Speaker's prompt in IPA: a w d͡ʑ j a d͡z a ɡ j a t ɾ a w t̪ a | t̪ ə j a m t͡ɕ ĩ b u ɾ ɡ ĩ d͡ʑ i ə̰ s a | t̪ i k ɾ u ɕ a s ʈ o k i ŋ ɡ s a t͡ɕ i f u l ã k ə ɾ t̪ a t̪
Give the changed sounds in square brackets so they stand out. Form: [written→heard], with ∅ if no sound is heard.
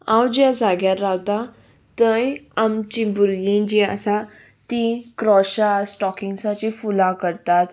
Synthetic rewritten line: a w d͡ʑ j a d͡z a ɡ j a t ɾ a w t̪ a | t̪ ə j a m t͡ɕ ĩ b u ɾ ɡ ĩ d͡ʑ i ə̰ s a | t̪ i k ɾ [u→ɔ] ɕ a s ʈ [o→ɔ] k i ŋ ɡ s a t͡ɕ i f u l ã k ə ɾ t̪ a t̪